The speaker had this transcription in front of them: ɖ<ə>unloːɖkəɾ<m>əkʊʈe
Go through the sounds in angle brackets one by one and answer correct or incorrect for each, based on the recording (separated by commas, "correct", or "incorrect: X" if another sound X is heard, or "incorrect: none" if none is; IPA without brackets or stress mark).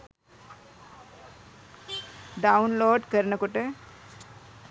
incorrect: a, incorrect: n